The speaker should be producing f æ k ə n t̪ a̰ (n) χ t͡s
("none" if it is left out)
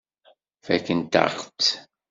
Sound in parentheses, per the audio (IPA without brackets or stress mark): none